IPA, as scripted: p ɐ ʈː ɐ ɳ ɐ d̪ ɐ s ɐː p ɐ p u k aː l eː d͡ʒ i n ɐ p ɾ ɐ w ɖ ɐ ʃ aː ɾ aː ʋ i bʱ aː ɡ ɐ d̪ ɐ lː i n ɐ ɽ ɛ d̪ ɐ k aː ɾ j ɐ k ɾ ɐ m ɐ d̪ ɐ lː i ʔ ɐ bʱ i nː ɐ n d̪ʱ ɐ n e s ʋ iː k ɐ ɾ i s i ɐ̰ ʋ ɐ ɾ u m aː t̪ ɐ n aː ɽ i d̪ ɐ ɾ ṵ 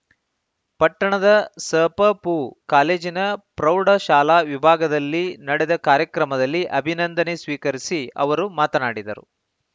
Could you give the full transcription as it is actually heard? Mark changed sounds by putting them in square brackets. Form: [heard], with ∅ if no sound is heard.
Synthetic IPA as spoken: p ɐ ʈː ɐ ɳ ɐ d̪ ɐ s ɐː p ɐ p u k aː l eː d͡ʒ i n ɐ p ɾ ɐ w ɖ ɐ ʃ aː [l] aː ʋ i bʱ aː ɡ ɐ d̪ ɐ lː i n ɐ ɽ ɛ d̪ ɐ k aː ɾ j ɐ k ɾ ɐ m ɐ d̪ ɐ lː i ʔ ɐ bʱ i [n] ɐ n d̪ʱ ɐ n e s ʋ iː k ɐ ɾ i s i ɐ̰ ʋ ɐ ɾ u m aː t̪ ɐ n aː ɽ i d̪ ɐ ɾ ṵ